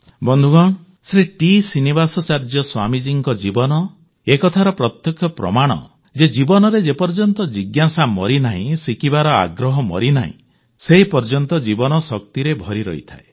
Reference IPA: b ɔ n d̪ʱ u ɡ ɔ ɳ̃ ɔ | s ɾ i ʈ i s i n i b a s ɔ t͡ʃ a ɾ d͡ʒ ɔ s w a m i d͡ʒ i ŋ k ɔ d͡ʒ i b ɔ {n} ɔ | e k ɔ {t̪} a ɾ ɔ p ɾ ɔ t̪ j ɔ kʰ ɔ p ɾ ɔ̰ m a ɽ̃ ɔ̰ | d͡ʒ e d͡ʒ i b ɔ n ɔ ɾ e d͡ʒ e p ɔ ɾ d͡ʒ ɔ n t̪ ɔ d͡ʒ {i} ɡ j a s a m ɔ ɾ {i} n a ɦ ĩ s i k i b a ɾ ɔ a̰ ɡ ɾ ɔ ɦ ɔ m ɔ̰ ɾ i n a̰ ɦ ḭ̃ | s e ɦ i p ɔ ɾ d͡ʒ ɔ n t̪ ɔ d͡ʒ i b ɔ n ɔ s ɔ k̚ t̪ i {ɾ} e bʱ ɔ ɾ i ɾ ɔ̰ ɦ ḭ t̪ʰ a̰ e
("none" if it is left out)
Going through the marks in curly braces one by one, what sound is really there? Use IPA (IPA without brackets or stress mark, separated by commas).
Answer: n, t̪ʰ, i, i, ɾ